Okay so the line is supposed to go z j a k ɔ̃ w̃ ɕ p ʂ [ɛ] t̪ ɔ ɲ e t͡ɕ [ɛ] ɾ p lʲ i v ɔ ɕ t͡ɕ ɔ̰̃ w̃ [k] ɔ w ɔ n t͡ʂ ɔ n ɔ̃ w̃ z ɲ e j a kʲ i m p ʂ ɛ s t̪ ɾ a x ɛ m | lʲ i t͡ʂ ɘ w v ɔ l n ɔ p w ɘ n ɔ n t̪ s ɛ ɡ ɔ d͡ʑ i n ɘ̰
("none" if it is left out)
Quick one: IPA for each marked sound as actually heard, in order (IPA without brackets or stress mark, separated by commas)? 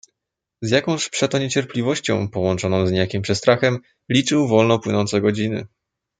ɛ, ɛ, p